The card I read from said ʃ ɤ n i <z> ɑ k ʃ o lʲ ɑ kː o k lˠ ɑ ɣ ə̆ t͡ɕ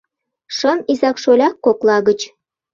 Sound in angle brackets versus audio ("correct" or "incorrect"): correct